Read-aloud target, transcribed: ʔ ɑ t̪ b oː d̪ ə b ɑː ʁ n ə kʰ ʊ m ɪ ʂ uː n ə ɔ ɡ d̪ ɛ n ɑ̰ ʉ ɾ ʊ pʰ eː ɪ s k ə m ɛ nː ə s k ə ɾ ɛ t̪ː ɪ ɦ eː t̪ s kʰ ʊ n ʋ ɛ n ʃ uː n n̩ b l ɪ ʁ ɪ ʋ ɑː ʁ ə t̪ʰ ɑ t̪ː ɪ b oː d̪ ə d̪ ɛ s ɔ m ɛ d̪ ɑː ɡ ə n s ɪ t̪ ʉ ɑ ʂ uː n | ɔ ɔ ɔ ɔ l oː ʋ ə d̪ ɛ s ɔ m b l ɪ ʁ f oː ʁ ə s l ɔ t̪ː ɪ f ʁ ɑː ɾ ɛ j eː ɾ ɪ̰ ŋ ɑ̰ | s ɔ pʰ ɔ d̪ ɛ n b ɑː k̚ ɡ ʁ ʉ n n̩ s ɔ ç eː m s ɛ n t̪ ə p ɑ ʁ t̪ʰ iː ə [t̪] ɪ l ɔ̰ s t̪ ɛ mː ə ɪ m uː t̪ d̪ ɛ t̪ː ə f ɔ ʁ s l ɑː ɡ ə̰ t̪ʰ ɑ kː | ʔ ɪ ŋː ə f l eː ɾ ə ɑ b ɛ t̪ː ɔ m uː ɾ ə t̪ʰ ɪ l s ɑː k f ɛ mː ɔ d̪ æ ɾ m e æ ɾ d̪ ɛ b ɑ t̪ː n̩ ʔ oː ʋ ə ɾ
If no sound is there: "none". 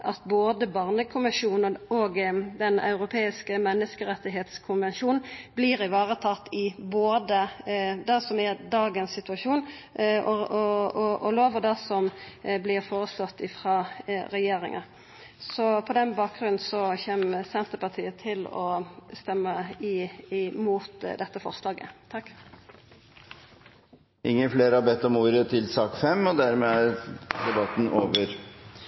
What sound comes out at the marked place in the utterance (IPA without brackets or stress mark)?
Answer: t̪ʰ